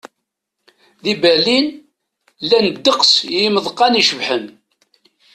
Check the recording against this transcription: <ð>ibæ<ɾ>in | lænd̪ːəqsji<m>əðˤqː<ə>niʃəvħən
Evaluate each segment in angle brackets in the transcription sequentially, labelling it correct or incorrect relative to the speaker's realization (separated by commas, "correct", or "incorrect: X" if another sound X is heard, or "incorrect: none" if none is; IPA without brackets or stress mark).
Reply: correct, incorrect: l, correct, incorrect: ɑ